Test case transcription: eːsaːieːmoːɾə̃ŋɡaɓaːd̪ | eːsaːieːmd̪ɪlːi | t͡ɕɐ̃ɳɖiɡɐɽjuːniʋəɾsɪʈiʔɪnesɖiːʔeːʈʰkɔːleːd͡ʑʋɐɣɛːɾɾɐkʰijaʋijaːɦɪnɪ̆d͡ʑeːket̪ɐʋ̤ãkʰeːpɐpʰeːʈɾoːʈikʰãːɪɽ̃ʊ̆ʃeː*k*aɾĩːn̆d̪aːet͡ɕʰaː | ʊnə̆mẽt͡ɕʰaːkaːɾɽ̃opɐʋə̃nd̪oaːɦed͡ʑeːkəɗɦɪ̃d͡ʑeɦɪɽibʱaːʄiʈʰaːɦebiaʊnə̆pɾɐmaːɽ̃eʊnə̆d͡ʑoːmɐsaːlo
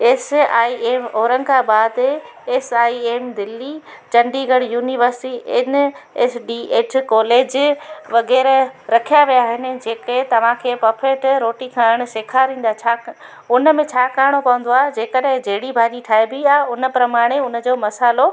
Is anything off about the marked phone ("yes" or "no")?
yes